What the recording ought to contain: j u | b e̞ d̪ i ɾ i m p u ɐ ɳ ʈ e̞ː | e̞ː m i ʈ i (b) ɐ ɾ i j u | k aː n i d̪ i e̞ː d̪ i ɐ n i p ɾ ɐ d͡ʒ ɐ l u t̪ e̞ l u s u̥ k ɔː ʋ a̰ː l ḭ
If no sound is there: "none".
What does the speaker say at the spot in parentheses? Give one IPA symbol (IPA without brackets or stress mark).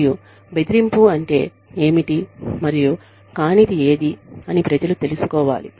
m